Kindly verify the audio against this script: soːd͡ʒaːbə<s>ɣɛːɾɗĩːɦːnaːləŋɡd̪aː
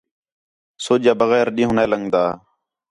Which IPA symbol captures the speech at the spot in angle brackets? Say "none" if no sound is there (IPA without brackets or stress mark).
none